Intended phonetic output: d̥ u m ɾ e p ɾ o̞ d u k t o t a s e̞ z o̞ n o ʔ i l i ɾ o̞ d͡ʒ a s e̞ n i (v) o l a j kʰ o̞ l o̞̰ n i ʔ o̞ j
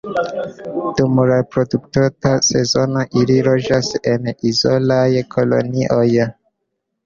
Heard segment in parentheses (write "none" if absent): z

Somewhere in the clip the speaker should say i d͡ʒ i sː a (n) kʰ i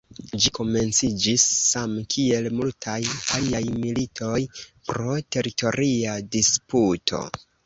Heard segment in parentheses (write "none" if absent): m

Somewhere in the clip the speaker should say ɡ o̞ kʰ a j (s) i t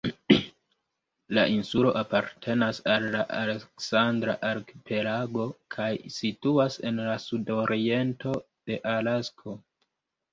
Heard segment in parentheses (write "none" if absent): s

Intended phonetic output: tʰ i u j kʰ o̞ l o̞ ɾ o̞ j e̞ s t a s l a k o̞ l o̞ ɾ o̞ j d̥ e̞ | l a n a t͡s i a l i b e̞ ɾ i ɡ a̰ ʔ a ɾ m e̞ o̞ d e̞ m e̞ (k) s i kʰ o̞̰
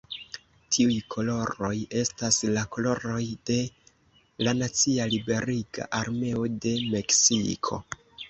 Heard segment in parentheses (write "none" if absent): k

